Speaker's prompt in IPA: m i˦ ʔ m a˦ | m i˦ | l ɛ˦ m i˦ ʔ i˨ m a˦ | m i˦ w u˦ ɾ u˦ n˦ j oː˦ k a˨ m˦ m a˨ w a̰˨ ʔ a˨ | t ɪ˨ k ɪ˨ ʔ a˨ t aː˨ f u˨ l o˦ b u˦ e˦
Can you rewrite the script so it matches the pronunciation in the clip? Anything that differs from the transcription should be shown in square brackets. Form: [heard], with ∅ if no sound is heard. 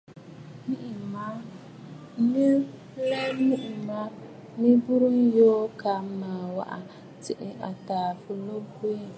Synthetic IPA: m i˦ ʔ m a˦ | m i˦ | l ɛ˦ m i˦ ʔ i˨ m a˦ | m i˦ [b] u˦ ɾ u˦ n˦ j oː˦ k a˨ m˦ m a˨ w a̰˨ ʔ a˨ | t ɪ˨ [ʔ] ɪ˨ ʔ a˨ t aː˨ f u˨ l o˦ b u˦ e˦